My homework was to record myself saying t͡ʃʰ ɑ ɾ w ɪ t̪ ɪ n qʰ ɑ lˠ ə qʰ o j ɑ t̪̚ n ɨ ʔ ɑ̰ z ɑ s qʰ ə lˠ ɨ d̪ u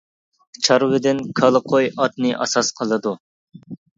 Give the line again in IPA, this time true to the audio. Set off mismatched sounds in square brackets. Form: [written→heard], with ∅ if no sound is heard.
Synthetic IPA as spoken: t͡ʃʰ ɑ ɾ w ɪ [t̪→d̪] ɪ n [qʰ→kʰ] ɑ lˠ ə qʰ o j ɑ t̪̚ n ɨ ʔ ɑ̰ [z→s] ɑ s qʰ ə lˠ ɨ d̪ u